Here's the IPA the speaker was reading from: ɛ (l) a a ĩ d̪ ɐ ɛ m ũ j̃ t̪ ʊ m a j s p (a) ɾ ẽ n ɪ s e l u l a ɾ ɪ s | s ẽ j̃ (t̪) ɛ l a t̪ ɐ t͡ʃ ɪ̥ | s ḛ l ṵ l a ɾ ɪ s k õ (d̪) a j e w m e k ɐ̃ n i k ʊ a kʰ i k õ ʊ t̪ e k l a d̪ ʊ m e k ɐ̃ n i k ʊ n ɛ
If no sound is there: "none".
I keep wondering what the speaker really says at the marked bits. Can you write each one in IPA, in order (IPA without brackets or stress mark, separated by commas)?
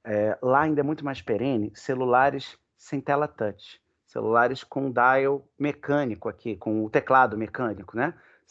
l, e, t̪, d̪